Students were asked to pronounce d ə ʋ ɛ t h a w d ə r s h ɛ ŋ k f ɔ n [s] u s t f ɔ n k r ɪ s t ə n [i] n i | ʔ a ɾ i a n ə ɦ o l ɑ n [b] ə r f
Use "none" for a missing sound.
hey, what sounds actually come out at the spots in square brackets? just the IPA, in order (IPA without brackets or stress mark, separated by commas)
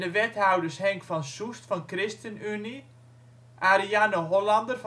s, y, d